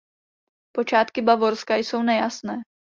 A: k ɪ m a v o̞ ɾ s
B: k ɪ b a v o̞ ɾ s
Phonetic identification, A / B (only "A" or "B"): B